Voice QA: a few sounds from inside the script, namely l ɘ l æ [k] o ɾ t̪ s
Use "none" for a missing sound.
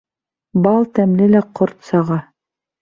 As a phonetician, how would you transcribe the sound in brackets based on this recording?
q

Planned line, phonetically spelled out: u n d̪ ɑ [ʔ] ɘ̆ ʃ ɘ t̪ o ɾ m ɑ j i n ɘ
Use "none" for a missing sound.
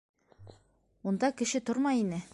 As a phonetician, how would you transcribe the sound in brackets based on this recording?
k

